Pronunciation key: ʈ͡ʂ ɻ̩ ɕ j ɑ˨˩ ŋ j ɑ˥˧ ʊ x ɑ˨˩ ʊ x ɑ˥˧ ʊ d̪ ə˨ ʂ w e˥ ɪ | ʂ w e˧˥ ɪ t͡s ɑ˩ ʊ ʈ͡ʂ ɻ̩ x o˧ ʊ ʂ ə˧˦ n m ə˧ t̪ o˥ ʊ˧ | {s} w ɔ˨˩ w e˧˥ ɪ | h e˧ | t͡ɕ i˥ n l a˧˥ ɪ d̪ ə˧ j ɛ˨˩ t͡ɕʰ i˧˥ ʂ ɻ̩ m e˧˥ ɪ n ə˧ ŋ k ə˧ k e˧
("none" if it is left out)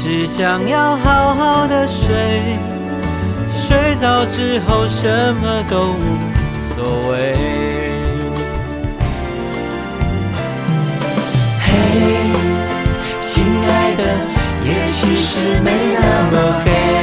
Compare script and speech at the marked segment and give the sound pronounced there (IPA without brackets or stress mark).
s